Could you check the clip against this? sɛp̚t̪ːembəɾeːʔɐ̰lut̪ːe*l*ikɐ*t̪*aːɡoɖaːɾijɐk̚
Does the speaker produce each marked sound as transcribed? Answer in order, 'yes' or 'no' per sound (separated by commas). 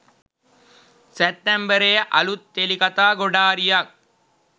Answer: yes, yes